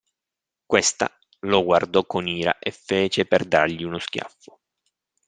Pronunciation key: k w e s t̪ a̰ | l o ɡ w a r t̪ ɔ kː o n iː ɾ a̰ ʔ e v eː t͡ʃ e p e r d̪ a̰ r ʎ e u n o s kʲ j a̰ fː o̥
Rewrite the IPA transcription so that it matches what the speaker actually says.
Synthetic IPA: k w e s t̪ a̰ | l o ɡ w a r d̪ ɔ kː o n iː ɾ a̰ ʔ e f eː t͡ʃ e p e r d̪ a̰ r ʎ i u n o s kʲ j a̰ fː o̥